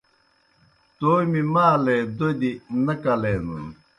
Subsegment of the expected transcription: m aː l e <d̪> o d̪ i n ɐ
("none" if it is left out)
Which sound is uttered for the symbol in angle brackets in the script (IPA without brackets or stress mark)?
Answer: d̪